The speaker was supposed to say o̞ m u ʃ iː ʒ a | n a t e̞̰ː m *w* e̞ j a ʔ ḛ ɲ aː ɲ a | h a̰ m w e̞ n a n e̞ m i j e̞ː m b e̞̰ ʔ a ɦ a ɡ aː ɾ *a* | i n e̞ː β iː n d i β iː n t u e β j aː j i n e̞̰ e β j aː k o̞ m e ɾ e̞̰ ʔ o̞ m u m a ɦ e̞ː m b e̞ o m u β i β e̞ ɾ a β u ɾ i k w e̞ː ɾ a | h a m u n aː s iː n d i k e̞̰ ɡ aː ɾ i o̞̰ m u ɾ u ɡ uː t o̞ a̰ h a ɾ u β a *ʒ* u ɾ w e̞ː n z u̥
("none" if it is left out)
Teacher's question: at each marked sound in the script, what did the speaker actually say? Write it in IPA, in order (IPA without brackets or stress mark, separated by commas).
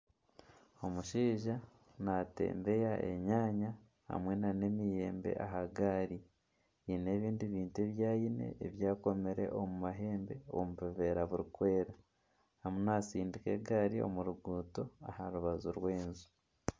b, i, z